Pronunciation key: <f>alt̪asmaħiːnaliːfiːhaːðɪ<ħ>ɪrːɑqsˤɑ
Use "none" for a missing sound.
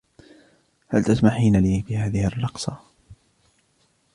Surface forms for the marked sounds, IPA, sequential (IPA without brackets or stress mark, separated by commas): h, h